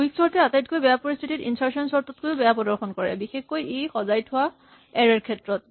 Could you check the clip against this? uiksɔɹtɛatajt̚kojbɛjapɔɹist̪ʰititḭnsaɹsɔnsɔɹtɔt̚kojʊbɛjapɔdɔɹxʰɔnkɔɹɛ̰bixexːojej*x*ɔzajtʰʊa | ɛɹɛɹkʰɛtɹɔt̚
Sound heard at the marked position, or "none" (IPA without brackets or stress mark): x